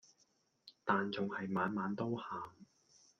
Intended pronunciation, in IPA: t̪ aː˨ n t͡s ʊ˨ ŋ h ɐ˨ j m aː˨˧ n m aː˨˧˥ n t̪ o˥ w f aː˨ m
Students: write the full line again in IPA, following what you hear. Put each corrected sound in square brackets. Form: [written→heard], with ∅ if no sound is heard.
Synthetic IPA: t̪ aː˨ n t͡s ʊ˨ ŋ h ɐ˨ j m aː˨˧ n m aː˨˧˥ n t̪ o˥ w [f→h] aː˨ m